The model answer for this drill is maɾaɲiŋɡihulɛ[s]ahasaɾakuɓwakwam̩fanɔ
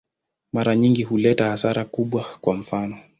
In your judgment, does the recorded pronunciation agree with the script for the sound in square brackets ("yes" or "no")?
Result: no